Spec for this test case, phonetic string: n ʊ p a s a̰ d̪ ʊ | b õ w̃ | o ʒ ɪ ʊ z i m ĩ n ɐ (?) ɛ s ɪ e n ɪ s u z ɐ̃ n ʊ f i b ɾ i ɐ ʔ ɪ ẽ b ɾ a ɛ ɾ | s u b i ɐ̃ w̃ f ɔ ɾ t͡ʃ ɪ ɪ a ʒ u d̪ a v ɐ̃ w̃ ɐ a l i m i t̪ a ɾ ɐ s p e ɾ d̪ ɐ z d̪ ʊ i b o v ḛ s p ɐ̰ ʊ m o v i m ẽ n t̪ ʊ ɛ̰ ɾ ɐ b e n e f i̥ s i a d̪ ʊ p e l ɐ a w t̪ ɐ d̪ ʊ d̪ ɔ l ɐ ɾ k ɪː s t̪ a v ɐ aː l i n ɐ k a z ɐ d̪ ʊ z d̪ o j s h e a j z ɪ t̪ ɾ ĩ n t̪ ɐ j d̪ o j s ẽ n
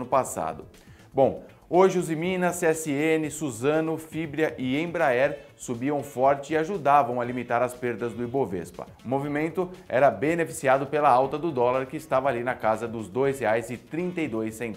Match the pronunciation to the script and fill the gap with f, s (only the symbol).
s